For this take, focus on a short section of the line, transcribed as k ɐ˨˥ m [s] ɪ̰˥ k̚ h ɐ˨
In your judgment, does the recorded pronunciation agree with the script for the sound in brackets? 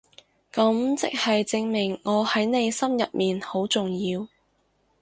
no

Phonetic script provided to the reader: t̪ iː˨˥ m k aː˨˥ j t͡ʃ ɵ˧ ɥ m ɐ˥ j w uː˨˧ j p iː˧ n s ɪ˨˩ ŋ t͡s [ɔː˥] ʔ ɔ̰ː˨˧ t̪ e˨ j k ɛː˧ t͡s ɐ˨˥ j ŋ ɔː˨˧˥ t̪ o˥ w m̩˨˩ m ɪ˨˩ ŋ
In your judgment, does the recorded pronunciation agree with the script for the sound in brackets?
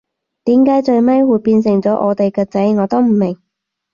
no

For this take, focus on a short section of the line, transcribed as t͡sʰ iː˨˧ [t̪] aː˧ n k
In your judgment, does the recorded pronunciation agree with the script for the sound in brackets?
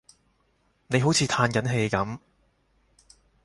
no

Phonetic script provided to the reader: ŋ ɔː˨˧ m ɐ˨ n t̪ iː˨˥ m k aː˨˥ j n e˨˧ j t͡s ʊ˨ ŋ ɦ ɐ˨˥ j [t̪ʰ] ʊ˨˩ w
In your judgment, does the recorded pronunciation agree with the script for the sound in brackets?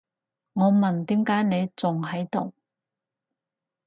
no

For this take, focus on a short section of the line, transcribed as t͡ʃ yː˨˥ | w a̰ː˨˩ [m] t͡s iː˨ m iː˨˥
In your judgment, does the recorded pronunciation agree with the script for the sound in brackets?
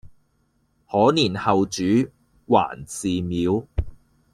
no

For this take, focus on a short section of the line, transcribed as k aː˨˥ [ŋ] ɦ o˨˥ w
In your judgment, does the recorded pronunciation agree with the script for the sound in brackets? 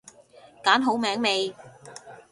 no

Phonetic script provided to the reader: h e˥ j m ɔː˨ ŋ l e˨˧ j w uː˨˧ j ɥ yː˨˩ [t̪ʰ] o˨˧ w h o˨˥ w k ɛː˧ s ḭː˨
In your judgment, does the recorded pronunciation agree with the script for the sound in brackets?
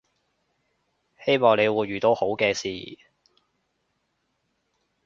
no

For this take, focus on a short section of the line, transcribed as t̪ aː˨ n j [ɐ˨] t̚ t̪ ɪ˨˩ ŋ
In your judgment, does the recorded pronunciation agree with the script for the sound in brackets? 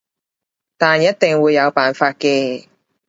no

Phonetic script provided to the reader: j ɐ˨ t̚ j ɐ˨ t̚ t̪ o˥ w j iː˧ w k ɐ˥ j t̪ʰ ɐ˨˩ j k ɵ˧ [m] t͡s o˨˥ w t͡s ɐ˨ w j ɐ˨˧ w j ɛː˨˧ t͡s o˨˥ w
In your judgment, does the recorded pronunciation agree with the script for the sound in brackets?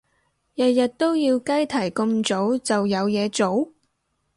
yes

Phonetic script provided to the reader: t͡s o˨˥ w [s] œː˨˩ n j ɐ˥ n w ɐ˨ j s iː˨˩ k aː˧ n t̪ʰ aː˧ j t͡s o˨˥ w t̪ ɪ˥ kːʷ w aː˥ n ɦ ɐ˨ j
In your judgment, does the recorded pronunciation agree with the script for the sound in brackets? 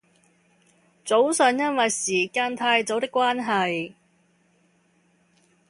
yes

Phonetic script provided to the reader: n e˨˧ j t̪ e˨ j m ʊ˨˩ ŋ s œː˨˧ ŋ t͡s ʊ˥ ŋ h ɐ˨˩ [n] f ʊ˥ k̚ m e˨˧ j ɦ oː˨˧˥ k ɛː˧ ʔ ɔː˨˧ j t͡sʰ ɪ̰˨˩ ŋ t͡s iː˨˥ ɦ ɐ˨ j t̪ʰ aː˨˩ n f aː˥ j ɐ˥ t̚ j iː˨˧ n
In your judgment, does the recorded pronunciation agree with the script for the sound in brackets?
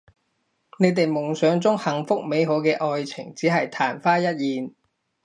no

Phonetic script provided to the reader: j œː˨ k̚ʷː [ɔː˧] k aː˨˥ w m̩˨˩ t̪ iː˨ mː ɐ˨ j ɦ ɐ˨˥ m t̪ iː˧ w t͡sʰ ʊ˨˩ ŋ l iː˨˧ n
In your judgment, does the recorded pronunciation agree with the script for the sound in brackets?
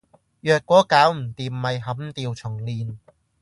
no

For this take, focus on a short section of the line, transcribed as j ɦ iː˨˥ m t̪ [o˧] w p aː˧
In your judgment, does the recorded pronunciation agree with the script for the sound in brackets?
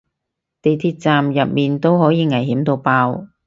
yes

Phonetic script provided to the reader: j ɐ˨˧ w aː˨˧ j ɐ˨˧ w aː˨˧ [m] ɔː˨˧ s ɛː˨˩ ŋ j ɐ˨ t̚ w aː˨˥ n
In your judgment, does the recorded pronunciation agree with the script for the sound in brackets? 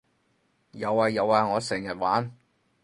no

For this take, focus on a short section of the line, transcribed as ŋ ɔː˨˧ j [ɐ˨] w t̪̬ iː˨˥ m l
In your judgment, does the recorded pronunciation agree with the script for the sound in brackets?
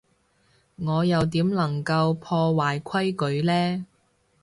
yes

